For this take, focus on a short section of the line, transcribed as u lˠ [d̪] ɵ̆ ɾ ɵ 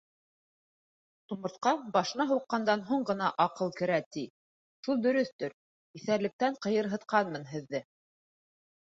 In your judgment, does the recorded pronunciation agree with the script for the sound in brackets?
yes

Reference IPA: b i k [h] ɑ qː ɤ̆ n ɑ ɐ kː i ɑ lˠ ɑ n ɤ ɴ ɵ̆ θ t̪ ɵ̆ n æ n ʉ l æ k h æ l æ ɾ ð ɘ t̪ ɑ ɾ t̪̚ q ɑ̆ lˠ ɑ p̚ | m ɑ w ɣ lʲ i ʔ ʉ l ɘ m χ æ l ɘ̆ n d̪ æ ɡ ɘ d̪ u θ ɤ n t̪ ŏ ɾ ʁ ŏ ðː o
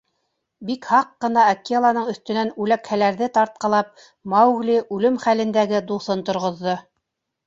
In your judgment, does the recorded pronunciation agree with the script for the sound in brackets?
yes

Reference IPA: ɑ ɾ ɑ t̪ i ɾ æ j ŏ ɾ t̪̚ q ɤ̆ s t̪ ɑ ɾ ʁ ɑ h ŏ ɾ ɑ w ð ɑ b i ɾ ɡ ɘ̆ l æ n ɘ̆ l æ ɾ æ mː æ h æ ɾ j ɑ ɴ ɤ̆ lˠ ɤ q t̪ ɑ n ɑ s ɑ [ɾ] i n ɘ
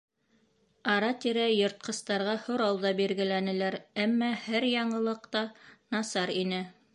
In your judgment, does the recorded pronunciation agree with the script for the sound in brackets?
yes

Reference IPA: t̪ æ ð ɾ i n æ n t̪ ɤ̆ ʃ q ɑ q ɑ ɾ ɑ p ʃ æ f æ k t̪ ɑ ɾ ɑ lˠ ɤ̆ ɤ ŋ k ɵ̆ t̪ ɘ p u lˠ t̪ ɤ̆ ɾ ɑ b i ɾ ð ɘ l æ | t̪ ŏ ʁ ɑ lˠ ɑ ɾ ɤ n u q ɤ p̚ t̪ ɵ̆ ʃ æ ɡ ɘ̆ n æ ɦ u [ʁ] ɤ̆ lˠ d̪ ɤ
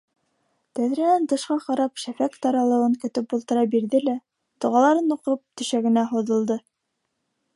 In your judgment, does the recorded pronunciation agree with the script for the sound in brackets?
no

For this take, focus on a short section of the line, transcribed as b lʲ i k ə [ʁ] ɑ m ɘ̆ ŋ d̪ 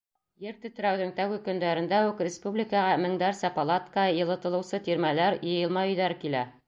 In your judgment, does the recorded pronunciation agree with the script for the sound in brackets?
yes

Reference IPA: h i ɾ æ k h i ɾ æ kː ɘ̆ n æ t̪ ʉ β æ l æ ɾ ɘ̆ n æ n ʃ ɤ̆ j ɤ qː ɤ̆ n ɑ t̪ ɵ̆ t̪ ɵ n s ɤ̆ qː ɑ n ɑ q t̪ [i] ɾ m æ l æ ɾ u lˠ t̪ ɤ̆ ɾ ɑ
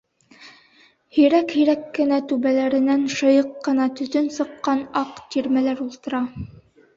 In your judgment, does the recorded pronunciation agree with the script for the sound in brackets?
yes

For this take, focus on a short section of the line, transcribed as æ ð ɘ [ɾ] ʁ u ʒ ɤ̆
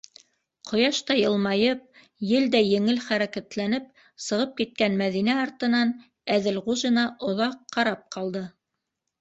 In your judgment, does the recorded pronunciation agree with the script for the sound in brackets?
no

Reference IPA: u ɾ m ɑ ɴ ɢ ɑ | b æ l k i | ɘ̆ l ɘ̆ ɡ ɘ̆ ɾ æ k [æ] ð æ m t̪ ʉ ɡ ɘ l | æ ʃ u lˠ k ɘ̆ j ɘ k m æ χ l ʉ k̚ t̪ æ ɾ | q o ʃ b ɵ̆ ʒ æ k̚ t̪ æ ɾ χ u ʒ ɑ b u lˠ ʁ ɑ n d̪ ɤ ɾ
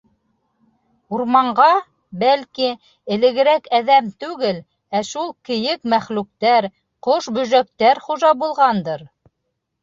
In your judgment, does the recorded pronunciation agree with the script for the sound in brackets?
yes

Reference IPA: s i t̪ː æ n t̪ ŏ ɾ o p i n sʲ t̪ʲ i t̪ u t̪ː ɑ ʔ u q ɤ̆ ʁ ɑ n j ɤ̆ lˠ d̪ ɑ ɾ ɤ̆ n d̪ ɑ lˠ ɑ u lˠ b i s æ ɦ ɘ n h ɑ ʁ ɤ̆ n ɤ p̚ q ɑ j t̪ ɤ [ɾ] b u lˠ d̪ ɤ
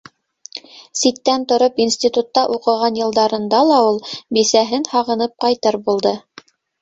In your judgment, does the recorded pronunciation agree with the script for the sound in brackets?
yes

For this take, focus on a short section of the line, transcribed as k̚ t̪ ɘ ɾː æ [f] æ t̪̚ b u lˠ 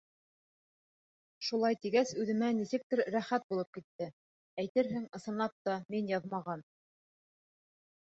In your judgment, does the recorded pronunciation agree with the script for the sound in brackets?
no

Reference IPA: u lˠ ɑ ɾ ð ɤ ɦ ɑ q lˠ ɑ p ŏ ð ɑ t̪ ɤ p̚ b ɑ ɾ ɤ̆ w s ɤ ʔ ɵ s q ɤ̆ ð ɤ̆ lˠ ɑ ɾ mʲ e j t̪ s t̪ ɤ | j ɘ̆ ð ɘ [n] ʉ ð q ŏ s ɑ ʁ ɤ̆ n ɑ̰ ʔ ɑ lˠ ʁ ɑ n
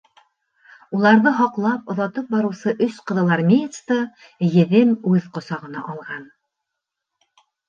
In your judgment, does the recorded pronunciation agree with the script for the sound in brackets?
no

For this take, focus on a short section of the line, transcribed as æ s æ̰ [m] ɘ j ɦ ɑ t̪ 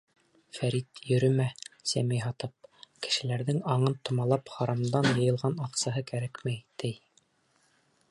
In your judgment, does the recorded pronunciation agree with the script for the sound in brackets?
yes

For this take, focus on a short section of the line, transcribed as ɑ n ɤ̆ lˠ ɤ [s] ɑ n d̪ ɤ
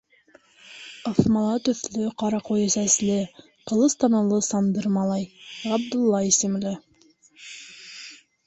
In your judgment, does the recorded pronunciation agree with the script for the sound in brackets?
yes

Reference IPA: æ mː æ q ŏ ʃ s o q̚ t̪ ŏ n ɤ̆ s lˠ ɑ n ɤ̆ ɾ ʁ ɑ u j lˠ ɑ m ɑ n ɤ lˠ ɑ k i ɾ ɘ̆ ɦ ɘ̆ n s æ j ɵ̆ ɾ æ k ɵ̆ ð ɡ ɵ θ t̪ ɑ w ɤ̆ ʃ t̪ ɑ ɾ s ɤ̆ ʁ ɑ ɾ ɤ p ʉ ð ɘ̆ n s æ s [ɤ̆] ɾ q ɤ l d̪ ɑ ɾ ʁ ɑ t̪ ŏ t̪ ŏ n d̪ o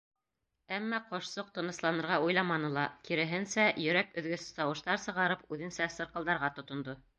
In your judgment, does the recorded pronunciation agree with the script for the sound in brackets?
yes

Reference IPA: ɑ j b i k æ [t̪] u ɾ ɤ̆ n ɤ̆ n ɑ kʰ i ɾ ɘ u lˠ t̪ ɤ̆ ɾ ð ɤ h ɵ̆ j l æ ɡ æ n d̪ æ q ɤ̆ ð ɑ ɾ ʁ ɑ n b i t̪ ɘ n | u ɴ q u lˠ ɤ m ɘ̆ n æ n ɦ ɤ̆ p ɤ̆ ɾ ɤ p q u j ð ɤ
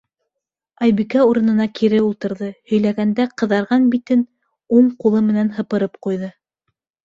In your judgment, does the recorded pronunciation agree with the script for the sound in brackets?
no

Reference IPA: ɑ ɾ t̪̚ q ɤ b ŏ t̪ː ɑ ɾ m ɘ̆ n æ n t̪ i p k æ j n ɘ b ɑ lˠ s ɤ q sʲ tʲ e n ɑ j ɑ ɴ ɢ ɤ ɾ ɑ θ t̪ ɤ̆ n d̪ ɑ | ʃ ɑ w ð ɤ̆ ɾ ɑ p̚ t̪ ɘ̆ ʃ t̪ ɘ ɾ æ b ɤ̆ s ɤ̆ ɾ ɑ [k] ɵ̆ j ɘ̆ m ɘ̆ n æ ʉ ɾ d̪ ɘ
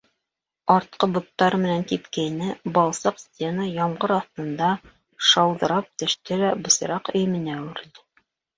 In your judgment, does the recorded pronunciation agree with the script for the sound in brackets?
no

